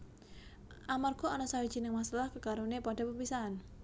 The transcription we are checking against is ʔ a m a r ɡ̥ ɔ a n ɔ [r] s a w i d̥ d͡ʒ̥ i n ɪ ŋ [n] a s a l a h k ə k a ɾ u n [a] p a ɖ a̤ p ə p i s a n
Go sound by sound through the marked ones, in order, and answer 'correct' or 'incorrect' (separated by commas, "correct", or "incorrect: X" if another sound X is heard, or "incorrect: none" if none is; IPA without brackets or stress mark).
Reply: incorrect: none, incorrect: m, incorrect: e